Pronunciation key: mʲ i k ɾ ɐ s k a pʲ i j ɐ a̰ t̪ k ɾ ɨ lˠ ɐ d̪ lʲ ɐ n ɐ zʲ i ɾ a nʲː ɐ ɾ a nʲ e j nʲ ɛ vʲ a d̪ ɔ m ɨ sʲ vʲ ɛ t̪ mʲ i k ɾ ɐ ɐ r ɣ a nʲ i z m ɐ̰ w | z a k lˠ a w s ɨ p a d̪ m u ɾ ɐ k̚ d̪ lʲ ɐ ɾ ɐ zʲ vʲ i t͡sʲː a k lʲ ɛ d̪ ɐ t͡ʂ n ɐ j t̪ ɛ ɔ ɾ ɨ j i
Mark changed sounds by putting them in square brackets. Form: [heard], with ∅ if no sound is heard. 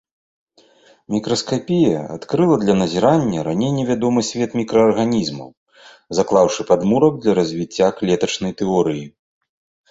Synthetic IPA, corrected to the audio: mʲ i k ɾ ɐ s k a pʲ i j ɐ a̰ t̪ k ɾ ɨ lˠ ɐ d̪ lʲ ɐ n ɐ zʲ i ɾ a nʲː ɐ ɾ a nʲ e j nʲ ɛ vʲ a d̪ ɔ m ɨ sʲ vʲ ɛ t̪ mʲ i k ɾ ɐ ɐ r ɣ a nʲ i z m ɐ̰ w | z a k lˠ a w [ʂ] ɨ p a d̪ m u ɾ ɐ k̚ d̪ lʲ ɐ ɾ ɐ zʲ vʲ i t͡sʲː a k lʲ ɛ [t̪] ɐ t͡ʂ n ɐ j t̪ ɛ ɔ ɾ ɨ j i